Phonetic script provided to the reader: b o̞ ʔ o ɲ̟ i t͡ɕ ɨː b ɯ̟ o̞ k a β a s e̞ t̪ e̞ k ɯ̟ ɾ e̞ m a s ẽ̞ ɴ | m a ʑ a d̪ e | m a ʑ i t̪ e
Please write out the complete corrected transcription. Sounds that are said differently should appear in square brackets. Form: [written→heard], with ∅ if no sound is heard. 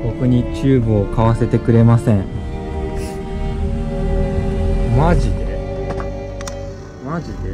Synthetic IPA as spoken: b o̞ [ʔ→k] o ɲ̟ i t͡ɕ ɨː b ɯ̟ o̞ k a β a s e̞ t̪ e̞ k ɯ̟ ɾ e̞ m a s ẽ̞ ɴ | m a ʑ [a→i] d̪ e | m a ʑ i [t̪→d̪] e